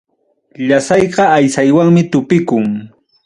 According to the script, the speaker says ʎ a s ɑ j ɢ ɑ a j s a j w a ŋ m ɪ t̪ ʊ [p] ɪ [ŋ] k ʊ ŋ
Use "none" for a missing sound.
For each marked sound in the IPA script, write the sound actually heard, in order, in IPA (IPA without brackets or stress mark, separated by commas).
p, none